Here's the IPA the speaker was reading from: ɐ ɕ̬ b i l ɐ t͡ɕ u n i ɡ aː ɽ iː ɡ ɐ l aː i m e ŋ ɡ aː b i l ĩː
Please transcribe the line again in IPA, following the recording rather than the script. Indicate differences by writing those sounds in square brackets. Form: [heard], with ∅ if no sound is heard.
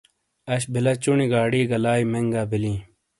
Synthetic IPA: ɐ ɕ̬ b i l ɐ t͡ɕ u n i ɡ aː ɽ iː ɡ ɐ l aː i m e ŋ ɡ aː b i l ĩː